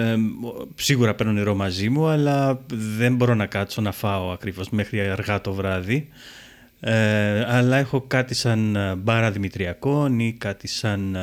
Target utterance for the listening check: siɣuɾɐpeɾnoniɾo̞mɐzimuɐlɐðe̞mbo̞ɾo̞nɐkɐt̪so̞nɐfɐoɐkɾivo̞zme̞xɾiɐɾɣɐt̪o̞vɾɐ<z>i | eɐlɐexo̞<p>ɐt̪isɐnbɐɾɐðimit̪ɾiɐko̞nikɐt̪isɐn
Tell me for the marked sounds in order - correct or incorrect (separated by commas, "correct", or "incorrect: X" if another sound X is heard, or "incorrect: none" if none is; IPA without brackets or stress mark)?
incorrect: ð, incorrect: k